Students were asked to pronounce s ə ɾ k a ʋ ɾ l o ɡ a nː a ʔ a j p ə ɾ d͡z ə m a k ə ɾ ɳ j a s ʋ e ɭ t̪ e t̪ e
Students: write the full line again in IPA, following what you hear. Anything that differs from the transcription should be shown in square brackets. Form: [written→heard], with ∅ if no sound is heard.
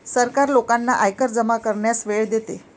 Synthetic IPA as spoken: s ə ɾ k a [ʋ→∅] ɾ l o [ɡ→k] a nː a ʔ a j [p→k] ə ɾ d͡z ə m a k ə ɾ ɳ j a s ʋ e ɭ [t̪→d̪] e t̪ e